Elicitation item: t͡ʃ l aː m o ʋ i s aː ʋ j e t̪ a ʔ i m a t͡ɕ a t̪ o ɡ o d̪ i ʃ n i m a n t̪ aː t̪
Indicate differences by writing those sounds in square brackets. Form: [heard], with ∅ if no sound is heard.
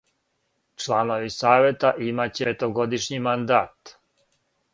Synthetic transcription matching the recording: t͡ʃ l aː [n] o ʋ i s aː ʋ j e t̪ a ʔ i m a t͡ɕ [e] t̪ o ɡ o d̪ i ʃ [ɲ] i m a n [d̪] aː t̪